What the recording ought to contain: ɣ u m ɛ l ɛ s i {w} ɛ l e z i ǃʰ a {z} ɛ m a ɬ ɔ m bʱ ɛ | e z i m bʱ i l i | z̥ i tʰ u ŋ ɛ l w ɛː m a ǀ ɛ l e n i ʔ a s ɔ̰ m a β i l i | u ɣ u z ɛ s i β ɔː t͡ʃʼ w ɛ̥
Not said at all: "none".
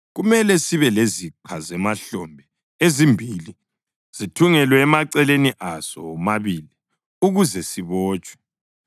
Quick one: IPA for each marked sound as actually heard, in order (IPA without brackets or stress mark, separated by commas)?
β, z